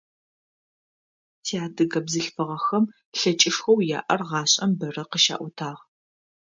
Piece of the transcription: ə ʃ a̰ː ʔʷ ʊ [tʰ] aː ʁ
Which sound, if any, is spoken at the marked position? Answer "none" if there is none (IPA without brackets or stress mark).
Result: tʰ